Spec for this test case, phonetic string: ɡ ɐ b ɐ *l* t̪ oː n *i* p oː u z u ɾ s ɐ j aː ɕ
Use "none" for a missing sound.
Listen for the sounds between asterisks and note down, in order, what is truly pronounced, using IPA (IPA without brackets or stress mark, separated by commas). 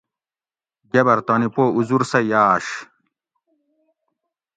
ɾ, i